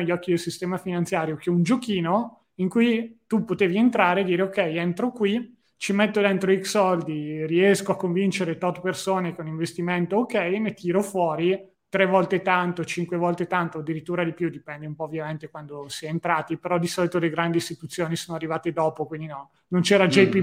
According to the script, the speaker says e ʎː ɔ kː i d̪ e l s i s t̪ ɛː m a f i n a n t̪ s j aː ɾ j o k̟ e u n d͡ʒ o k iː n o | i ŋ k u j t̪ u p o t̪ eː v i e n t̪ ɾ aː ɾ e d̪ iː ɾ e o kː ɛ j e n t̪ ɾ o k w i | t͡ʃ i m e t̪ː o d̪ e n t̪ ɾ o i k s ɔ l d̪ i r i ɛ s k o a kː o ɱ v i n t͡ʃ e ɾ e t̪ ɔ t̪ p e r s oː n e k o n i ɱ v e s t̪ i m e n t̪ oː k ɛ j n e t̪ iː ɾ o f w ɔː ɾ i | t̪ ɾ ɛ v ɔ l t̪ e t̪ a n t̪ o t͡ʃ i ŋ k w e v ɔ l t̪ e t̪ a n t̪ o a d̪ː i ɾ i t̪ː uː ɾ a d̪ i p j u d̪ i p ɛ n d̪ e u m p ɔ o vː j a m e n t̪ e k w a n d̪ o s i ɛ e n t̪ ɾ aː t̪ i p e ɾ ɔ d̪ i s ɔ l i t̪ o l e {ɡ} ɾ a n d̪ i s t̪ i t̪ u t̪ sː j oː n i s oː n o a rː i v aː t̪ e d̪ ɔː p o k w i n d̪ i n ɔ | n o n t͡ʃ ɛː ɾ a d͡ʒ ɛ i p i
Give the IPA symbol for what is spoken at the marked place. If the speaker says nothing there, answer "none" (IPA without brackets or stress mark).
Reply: ɡ